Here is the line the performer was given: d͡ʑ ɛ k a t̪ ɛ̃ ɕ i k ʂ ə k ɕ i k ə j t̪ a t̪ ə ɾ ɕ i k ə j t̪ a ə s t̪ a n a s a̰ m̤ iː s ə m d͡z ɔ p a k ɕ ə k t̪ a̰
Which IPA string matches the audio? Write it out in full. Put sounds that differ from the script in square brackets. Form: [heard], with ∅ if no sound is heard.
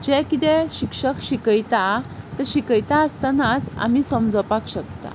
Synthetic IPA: d͡ʑ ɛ k [i] t̪ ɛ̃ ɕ i k ʂ ə k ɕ i k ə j t̪ a t̪ ə ɾ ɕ i k ə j t̪ a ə s t̪ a n a [t͡s] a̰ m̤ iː s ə m d͡z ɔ p a k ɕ ə k t̪ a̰